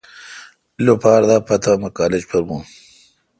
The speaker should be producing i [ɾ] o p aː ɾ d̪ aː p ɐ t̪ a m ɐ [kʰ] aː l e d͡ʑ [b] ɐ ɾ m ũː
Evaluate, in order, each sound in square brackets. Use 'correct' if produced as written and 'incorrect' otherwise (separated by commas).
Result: incorrect, incorrect, incorrect